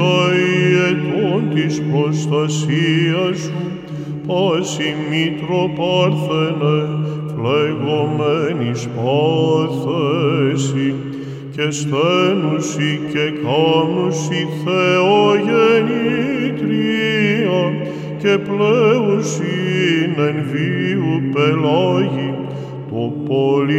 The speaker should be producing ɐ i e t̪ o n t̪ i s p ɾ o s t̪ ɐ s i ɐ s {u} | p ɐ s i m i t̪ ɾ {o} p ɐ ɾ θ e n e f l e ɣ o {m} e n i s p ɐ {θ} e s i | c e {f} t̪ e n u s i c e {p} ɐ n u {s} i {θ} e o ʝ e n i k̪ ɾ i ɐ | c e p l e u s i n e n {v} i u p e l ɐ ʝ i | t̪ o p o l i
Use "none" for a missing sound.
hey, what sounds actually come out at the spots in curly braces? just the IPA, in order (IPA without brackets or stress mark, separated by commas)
u, o, m, θ, s, k, s, θ, v